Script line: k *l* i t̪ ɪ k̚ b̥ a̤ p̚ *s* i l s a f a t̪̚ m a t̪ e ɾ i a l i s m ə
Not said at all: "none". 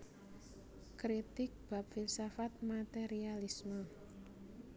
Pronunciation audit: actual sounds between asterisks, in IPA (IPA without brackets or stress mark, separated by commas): ɾ, f